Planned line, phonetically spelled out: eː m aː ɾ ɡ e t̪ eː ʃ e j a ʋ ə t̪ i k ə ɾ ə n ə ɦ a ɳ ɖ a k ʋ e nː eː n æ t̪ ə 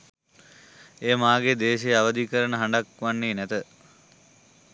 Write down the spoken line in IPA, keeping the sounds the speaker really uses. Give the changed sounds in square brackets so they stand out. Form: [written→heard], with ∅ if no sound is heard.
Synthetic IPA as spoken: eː m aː [ɾ→∅] ɡ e [t̪→d̪] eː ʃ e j a ʋ ə [t̪→d̪] i k ə ɾ ə n ə ɦ a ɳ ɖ a k ʋ [e→a] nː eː n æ t̪ ə